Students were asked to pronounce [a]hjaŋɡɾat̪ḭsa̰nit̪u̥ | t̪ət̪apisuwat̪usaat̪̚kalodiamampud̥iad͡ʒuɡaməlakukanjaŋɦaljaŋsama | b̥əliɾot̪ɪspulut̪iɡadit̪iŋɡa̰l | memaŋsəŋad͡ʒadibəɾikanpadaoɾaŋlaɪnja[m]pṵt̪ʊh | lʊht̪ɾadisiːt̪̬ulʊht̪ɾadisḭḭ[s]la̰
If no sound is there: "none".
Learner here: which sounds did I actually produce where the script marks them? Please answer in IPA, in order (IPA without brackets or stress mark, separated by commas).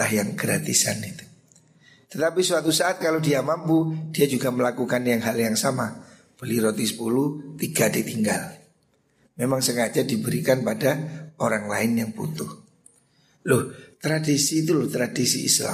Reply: a, ŋ, s